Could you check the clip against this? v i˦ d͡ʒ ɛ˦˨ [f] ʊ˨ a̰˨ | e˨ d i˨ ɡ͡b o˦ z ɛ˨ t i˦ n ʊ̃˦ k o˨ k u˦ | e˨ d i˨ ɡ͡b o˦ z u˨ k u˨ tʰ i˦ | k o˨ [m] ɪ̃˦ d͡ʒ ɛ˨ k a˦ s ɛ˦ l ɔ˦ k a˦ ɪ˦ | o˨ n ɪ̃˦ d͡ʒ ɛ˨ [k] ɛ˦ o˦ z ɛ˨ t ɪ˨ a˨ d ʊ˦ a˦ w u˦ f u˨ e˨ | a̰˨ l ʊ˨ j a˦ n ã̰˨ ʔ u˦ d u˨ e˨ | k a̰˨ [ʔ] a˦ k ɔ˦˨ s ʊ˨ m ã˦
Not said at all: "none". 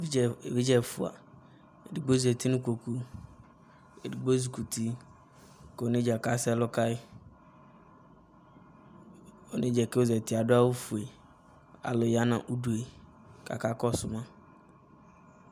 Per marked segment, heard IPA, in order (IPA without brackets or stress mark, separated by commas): f, n, k, k